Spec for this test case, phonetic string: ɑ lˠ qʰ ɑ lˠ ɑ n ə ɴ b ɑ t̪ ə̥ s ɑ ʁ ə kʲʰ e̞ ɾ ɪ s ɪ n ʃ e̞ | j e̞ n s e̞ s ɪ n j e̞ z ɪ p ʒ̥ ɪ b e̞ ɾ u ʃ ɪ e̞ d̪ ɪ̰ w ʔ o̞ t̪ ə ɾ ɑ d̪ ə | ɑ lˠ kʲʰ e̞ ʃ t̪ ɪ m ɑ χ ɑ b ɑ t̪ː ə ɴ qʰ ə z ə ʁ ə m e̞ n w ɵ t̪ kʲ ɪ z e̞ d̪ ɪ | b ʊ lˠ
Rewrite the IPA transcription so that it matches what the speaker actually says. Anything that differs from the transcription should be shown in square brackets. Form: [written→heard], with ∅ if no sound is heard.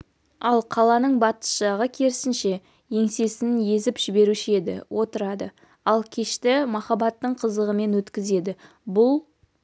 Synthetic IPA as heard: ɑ lˠ qʰ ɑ lˠ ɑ n ə ɴ b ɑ t̪ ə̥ [s→ʃ] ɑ ʁ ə kʲʰ e̞ ɾ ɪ s ɪ n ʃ e̞ | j e̞ [n→ŋ] s e̞ s ɪ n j e̞ z ɪ p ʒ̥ ɪ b e̞ ɾ u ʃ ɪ e̞ d̪ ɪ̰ w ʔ o̞ t̪ ə ɾ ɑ d̪ ə | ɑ lˠ kʲʰ e̞ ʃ t̪ ɪ m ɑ χ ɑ b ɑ t̪ː ə ɴ qʰ ə z ə ʁ ə m e̞ n w ɵ t̪ kʲ ɪ z e̞ d̪ ɪ | b ʊ lˠ